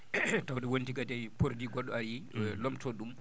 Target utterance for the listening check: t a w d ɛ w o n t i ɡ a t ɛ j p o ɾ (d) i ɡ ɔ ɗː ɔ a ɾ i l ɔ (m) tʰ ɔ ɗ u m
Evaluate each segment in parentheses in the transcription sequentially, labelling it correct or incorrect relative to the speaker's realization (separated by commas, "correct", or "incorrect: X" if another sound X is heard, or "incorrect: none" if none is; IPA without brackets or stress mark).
correct, correct